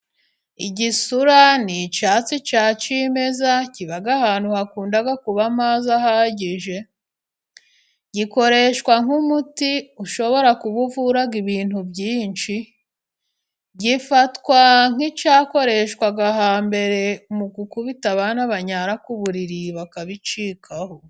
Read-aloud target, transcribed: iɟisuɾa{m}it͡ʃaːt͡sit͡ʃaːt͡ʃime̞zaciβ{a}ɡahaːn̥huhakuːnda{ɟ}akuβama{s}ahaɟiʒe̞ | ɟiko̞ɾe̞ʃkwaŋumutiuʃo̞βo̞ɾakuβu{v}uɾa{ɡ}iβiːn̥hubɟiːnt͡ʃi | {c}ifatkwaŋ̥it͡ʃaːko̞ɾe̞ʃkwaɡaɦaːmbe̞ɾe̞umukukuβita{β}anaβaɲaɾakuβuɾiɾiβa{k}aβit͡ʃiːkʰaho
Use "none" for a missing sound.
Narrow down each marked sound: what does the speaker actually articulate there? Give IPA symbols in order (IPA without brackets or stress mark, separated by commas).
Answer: n, a, ɡ, z, v, ɡ, ɟ, β, k